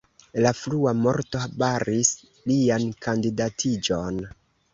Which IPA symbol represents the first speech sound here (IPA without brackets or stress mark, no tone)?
l